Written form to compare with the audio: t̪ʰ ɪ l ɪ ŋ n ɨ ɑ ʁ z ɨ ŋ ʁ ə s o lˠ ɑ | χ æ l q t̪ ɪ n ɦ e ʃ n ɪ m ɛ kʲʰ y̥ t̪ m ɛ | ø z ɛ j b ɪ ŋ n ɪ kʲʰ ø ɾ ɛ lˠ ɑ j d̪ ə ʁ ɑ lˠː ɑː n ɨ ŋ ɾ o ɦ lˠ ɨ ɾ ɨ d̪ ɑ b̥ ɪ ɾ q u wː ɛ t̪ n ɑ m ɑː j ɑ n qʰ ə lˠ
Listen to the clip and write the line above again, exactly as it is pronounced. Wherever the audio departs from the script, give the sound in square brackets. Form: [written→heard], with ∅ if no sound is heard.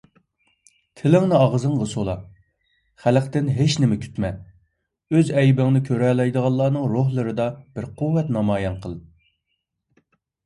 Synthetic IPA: t̪ʰ ɪ l ɪ ŋ n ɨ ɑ ʁ z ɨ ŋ ʁ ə s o lˠ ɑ | χ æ l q t̪ ɪ n ɦ e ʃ n ɪ m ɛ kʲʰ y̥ t̪ m ɛ | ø z ɛ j b ɪ ŋ n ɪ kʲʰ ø ɾ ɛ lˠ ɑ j d̪ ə ʁ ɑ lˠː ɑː n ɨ ŋ ɾ o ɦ lˠ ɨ ɾ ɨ d̪ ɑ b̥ ɪ ɾ q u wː ɛ t̪ n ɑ m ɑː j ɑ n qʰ ə lˠ